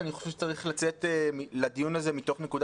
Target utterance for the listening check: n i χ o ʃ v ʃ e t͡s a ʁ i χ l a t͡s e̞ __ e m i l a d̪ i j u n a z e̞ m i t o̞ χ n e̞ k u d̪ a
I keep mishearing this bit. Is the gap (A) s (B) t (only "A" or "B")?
B